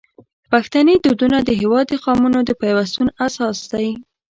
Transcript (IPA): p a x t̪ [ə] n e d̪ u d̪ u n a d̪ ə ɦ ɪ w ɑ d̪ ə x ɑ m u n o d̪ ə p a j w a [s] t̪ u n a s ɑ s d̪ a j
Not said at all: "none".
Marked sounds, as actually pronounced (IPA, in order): a, s

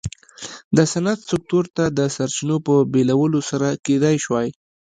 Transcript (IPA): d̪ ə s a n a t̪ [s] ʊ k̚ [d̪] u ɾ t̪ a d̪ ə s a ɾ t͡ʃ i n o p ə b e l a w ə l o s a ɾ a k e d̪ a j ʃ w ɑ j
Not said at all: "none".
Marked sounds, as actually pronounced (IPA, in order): s, t̪

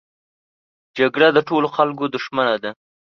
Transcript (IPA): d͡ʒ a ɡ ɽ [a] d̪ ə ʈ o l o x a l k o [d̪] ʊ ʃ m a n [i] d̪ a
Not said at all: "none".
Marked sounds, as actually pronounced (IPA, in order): a, d̪, a

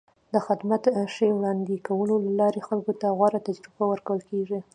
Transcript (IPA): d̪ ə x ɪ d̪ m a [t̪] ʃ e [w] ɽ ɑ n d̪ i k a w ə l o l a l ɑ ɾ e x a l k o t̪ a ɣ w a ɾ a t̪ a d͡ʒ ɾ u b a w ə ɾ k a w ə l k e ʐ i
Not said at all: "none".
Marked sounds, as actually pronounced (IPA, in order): t̪, w

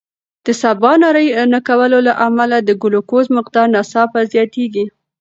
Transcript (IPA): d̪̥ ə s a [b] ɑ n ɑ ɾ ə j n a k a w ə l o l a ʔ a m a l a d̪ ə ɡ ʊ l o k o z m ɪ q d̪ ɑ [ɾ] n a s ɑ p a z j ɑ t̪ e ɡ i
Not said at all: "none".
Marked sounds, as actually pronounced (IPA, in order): b, ɾ

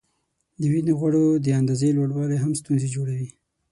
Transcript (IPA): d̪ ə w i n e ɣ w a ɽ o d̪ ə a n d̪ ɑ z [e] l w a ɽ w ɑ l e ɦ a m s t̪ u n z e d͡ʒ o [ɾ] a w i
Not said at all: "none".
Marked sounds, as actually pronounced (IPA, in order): e, ɽ

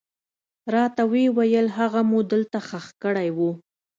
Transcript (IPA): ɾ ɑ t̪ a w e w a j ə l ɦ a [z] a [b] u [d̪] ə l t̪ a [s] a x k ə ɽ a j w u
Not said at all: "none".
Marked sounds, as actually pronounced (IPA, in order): ɣ, m, d̪, x

